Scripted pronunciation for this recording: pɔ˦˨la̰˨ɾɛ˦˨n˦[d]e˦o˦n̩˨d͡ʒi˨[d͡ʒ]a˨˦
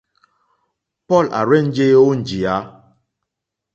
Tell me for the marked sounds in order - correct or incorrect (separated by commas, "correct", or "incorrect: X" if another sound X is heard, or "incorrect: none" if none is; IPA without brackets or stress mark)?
incorrect: d͡ʒ, incorrect: none